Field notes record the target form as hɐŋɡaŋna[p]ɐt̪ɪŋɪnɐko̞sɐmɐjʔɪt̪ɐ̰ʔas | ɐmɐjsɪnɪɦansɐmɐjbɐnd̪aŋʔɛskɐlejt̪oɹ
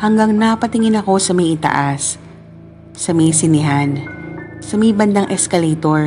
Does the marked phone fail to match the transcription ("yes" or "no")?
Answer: no